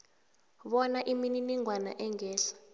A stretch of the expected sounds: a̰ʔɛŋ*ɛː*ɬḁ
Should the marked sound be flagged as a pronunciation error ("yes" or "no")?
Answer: no